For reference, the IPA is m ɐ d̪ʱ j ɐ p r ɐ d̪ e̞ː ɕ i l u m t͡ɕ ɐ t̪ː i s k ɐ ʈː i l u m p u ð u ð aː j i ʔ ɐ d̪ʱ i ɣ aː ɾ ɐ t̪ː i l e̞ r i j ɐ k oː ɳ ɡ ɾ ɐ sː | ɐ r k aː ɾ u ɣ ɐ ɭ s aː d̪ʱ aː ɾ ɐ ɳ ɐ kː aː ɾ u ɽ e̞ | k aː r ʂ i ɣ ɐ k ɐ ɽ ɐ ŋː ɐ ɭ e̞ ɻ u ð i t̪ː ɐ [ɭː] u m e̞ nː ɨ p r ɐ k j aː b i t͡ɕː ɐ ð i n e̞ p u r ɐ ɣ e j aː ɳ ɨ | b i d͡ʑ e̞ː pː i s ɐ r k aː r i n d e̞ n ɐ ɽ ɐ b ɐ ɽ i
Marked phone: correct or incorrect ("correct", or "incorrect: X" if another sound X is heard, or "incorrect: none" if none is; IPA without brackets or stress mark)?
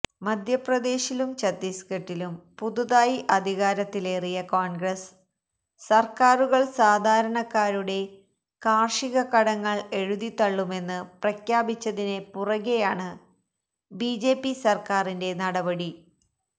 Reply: correct